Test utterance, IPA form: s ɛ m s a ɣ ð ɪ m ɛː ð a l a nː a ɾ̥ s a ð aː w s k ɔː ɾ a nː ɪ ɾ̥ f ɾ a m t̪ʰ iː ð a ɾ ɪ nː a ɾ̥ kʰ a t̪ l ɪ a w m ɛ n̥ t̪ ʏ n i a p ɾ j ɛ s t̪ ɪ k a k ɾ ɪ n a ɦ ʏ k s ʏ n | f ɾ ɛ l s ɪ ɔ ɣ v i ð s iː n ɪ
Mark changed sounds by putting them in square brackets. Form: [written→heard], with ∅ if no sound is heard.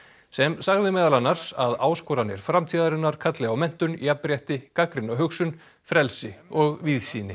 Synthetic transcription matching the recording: s ɛ m s a ɣ ð ɪ m ɛː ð a l a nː a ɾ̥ s a ð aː w s k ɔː ɾ a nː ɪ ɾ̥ f ɾ a m t̪ʰ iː ð a ɾ ɪ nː a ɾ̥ kʰ a t̪ l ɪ a w m ɛ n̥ t̪ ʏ n i a p ɾ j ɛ [s→h] t̪ ɪ k a k ɾ ɪ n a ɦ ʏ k s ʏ n | f ɾ ɛ l s ɪ ɔ ɣ v i ð s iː n ɪ